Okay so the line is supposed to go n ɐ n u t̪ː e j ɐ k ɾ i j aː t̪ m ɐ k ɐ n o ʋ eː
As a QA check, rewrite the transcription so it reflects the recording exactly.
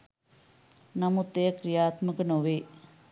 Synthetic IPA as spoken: n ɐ m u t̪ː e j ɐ k ɾ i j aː t̪ m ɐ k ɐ n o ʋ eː

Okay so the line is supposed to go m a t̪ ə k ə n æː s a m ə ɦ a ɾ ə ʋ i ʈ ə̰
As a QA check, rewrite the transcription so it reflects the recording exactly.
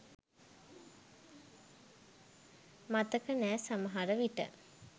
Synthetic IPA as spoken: m a t̪ ə k ə n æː s a m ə ɦ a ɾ ə ʋ i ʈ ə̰

